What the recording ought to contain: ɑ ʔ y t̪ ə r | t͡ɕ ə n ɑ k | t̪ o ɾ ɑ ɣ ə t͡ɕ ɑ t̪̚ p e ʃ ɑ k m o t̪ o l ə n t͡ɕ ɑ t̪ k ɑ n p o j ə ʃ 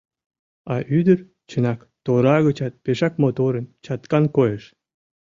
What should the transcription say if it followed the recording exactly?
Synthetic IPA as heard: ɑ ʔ y d̪ ə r | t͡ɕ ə n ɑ k | t̪ o ɾ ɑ ɣ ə t͡ɕ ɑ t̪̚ p e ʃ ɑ k m o t̪ o ɾ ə n t͡ɕ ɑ t̪ k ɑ n k o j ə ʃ